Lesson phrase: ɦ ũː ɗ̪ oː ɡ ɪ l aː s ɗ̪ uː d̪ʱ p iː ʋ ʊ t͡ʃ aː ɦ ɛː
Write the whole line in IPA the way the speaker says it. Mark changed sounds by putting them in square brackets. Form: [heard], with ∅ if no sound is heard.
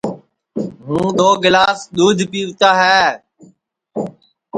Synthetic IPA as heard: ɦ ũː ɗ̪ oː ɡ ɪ l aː s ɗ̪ uː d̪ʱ p iː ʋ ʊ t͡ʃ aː ɦ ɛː